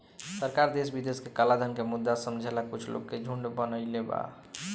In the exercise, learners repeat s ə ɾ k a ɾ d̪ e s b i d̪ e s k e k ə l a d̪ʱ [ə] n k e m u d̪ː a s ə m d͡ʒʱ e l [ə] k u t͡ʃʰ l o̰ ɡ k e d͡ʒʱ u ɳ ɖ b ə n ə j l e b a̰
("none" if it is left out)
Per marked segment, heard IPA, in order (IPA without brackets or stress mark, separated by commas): ə, a